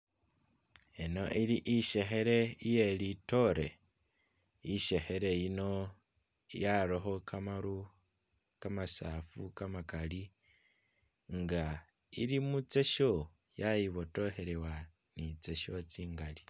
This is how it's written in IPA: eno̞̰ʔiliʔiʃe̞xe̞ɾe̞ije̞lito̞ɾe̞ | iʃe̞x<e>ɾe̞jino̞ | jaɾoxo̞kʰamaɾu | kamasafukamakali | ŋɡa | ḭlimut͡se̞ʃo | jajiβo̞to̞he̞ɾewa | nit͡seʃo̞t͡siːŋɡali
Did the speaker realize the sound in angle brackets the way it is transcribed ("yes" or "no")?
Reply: yes